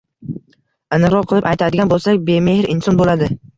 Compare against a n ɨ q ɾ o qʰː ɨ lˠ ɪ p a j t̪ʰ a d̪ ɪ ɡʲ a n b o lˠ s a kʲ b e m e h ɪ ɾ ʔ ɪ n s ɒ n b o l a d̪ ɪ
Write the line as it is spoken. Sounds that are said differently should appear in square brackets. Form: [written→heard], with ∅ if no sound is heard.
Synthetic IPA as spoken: a n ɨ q ɾ [o→ɒ] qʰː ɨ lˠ ɪ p a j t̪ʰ a d̪ ɪ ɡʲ a n b o lˠ s a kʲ b e m e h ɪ ɾ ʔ ɪ n s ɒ n b o l a d̪ ɪ